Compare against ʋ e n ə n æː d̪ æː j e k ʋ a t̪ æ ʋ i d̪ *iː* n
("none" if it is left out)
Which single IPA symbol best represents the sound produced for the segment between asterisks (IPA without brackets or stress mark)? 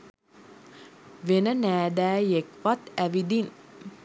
i